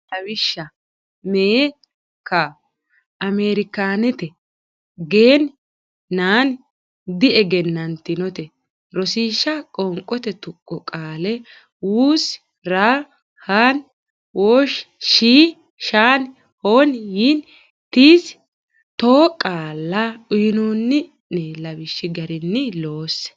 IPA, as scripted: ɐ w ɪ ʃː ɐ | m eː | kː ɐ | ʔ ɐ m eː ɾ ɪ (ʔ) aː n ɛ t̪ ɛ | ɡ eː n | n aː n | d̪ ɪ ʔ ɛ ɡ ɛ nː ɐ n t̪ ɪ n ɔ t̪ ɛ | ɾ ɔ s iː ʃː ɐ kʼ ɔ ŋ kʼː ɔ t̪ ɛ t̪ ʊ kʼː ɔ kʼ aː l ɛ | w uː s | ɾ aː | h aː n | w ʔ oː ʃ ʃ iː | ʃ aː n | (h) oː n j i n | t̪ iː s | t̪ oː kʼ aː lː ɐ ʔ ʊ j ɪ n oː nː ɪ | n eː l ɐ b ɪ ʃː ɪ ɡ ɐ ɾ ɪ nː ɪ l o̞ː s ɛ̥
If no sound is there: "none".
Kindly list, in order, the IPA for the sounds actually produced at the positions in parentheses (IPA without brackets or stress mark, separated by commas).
k, h